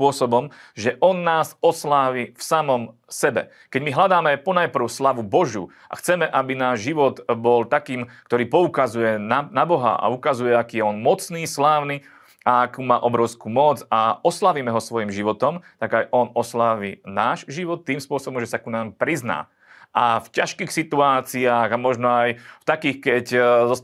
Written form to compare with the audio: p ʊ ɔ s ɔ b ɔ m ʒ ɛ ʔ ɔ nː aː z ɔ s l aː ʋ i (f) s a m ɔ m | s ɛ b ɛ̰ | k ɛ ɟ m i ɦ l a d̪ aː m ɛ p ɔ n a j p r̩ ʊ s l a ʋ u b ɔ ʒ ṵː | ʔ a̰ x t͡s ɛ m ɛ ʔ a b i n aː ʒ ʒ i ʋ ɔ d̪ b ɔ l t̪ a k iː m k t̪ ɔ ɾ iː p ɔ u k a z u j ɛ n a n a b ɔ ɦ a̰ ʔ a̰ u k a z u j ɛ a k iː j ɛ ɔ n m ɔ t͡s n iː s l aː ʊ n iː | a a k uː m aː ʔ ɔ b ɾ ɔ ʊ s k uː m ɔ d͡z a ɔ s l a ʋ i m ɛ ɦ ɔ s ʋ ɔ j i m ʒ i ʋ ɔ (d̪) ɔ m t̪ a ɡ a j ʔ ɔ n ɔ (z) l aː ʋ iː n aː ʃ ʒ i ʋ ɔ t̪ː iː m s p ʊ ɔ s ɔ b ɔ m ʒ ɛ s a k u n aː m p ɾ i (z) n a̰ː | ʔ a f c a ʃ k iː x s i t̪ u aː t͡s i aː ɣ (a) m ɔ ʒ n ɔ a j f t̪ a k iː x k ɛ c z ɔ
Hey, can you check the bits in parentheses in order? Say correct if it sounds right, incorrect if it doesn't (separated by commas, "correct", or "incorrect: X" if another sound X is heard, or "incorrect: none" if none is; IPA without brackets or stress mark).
correct, incorrect: t̪, incorrect: s, correct, correct